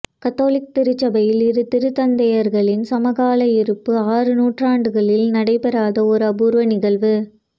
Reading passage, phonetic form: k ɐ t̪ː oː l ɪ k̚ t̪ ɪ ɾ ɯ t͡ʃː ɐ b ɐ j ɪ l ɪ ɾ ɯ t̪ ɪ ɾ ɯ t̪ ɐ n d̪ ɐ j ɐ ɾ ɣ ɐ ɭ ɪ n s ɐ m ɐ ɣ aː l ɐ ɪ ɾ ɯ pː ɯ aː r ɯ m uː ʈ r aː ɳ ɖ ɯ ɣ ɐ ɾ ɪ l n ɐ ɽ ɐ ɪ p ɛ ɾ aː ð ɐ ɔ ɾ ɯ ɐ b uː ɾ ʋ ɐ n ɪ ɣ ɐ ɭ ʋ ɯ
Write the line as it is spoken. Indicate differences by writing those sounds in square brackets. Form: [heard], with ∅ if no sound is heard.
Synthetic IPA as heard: k ɐ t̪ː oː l ɪ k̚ t̪ ɪ ɾ ɯ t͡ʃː ɐ b ɐ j ɪ l ɪ ɾ ɯ t̪ ɪ ɾ ɯ t̪ ɐ n d̪ ɐ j ɐ ɾ ɣ ɐ ɭ ɪ n s ɐ m ɐ ɣ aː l ɐ ɪ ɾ ɯ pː ɯ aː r ɯ [n] uː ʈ r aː ɳ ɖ ɯ ɣ ɐ [ɭ] ɪ l n ɐ ɽ ɐ ɪ p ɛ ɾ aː ð ɐ ɔ ɾ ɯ ɐ b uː ɾ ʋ ɐ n ɪ ɣ ɐ ɭ ʋ ɯ